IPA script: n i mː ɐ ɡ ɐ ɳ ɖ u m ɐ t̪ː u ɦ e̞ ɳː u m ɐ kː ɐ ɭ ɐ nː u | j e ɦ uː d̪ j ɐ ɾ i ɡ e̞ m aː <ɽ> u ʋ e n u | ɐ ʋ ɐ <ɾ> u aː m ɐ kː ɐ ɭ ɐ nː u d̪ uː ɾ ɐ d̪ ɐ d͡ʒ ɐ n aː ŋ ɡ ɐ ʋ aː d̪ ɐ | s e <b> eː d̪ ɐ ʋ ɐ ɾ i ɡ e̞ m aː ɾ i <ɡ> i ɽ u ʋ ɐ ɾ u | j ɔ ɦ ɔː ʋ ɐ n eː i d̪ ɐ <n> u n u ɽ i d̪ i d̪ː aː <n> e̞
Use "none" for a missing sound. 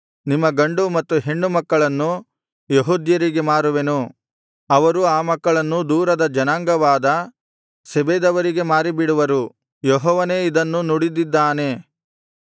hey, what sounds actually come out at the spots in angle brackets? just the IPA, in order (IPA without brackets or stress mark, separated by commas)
ɾ, ɾ, b, b, nː, n